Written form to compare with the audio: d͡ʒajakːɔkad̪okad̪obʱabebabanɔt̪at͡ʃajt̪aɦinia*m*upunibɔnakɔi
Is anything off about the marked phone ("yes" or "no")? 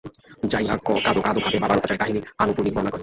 yes